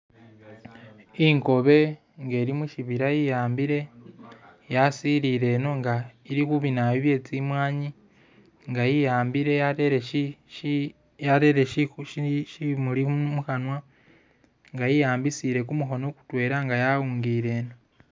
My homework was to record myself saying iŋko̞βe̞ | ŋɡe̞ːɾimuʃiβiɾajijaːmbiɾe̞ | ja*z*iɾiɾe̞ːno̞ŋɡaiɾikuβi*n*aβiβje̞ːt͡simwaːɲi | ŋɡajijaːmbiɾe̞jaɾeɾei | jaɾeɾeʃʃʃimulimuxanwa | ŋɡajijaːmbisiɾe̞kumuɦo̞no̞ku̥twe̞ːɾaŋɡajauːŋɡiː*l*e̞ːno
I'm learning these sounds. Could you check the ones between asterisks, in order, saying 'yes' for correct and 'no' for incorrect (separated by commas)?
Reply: no, yes, no